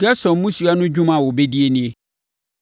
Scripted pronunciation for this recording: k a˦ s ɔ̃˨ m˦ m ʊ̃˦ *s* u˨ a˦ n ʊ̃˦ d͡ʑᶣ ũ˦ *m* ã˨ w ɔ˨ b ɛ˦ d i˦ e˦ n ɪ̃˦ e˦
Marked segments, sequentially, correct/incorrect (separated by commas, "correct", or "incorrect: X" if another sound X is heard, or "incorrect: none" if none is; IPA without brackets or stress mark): correct, correct